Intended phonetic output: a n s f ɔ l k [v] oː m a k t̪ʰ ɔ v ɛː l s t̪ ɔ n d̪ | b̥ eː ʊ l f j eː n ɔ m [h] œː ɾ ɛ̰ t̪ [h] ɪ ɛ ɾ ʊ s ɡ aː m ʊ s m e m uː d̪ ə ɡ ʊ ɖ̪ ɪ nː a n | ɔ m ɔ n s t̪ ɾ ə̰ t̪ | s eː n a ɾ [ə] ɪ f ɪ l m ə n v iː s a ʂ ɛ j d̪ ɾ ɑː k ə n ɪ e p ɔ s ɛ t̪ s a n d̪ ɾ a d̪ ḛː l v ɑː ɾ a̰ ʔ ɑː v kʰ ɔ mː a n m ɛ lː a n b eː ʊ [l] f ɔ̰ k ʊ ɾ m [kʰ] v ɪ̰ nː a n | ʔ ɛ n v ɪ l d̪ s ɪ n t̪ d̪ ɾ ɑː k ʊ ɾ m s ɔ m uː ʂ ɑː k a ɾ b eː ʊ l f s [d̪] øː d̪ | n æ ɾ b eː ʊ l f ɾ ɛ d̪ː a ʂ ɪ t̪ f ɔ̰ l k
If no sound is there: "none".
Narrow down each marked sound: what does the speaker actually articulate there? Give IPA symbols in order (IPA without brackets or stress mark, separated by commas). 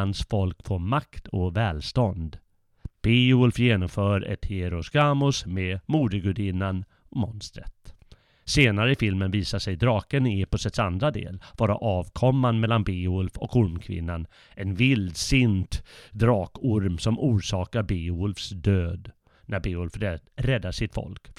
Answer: f, f, h, ə, l, kʰ, d̪